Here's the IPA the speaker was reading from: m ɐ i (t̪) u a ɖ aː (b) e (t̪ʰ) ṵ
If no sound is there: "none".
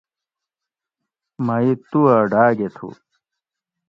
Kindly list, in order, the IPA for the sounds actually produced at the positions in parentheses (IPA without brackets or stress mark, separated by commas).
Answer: t̪, ɡ, t̪ʰ